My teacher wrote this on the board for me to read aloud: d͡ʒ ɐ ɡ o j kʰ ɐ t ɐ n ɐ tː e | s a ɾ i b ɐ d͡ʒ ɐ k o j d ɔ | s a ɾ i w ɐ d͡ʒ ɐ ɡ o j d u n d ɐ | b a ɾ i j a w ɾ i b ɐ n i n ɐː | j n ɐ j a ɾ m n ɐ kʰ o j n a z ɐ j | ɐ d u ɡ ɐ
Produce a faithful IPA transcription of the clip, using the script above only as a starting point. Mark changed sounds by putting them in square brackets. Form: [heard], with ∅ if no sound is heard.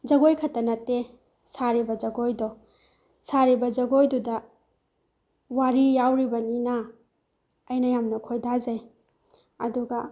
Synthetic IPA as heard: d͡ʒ ɐ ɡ o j kʰ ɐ t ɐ n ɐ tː e | s a ɾ i b ɐ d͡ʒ ɐ [ɡ] o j d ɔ | s a ɾ i [b] ɐ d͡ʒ ɐ ɡ o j d u [∅] d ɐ | [w] a ɾ i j a w ɾ i b ɐ n i n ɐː | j n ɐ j a [∅] m n ɐ kʰ o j [d] a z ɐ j | ɐ d u ɡ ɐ